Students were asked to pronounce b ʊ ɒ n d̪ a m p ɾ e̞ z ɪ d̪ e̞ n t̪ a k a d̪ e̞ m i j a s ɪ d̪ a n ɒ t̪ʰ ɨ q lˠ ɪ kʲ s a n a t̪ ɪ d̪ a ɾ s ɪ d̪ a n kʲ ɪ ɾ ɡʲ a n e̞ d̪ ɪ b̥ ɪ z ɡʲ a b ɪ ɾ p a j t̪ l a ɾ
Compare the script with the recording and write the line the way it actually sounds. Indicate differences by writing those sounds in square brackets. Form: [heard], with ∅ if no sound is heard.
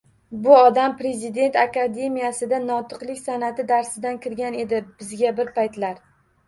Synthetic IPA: b ʊ ɒ [∅] d̪ a m p ɾ e̞ z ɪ d̪ e̞ n t̪ a k a d̪ e̞ m i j a s ɪ d̪ a n ɒ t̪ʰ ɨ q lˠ ɪ kʲ s a n a t̪ ɪ d̪ a ɾ s ɪ d̪ a n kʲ ɪ ɾ ɡʲ a n e̞ d̪ ɪ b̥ ɪ z ɡʲ a b ɪ ɾ p a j t̪ l a ɾ